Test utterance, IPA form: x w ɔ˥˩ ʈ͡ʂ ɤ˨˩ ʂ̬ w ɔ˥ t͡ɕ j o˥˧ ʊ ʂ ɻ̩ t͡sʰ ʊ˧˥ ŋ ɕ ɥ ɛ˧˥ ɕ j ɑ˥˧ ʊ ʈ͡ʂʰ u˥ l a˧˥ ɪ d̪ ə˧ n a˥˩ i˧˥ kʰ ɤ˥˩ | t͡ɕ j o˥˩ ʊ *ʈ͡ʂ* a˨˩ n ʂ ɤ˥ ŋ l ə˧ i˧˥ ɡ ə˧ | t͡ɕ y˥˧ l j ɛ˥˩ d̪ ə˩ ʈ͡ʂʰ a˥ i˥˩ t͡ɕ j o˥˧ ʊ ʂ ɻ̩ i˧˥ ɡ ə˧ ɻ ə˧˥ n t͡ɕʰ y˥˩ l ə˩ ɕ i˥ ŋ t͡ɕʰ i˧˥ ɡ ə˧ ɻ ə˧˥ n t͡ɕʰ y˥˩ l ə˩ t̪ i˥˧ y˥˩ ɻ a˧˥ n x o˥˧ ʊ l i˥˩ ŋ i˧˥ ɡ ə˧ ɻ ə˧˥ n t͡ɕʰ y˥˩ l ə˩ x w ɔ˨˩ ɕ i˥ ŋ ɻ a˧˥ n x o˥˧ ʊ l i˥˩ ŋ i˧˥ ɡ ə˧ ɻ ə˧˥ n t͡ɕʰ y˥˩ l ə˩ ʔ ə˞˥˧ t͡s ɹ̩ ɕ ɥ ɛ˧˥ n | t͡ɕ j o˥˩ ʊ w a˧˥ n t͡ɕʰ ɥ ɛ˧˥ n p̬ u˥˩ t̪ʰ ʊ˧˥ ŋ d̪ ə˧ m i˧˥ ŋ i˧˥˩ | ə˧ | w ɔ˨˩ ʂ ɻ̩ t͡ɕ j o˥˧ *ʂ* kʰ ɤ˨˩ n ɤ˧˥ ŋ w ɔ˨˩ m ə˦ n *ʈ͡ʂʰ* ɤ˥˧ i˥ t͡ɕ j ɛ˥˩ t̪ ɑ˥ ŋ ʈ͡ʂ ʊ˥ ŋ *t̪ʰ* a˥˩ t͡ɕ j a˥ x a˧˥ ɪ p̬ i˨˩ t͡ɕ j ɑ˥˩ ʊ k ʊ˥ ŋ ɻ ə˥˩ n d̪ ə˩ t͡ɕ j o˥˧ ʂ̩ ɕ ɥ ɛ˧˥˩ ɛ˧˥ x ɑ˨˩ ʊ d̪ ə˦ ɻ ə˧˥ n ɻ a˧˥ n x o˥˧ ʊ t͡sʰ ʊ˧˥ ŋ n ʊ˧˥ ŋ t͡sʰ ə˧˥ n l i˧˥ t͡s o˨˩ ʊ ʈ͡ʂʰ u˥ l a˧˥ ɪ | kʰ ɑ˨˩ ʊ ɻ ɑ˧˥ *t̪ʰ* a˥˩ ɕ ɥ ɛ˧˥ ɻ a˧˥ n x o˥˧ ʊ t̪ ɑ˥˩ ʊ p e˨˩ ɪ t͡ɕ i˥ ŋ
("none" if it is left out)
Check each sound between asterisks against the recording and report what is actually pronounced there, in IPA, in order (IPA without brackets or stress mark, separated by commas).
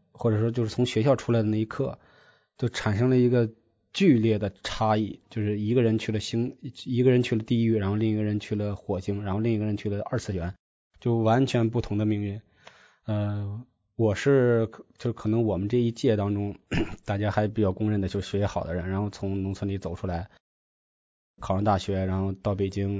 ʈ͡ʂʰ, ʂ, ʈ͡ʂ, t̪, t̪